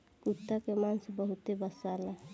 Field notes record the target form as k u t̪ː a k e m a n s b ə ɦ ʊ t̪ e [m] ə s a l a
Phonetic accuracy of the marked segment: incorrect: b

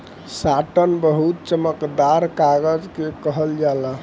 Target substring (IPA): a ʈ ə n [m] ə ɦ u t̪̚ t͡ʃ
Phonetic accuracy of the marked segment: incorrect: b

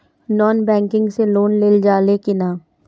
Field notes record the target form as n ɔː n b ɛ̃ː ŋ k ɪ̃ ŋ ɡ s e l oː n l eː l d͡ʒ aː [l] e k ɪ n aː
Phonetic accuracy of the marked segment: correct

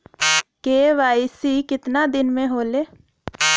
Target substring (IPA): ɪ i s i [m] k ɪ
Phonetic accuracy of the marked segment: incorrect: none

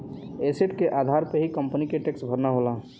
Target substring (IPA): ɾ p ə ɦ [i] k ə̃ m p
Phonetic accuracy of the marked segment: correct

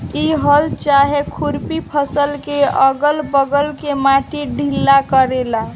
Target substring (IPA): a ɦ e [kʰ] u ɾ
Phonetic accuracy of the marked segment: correct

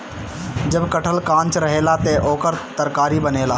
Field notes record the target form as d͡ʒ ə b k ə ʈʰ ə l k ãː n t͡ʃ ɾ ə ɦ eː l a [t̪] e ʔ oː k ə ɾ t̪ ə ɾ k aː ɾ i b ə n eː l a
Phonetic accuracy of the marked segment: correct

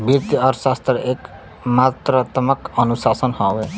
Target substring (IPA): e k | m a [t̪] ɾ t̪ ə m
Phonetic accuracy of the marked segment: correct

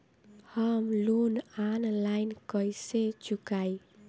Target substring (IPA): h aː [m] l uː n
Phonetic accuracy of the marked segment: correct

